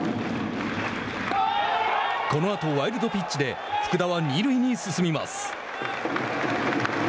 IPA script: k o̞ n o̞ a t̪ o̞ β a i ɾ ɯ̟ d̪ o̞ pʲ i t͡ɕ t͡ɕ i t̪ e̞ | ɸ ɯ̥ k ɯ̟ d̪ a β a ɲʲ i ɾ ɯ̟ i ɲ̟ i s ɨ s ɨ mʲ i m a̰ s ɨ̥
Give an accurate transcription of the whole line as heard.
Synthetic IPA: k o̞ n o̞ a t̪ o̞ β a i ɾ ɯ̟ d̪ o̞ pʲ i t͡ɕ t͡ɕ i d̪ e̞ | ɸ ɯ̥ k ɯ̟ d̪ a β a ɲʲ i ɾ ɯ̟ i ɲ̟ i s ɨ s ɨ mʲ i m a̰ s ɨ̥